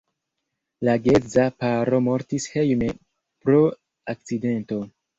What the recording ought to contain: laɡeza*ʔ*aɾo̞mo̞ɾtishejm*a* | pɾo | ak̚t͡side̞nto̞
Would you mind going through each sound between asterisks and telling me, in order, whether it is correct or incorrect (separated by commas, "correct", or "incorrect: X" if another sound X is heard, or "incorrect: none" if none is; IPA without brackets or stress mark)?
incorrect: p, incorrect: e